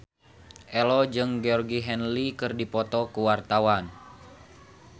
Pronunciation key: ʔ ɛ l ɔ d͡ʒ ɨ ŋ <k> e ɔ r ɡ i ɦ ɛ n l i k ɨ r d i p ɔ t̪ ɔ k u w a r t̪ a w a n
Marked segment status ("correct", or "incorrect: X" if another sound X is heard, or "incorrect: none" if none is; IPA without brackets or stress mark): incorrect: ɡ